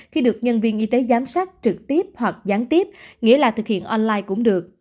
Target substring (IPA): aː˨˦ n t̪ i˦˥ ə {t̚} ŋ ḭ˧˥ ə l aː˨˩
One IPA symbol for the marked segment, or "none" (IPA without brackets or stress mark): p̚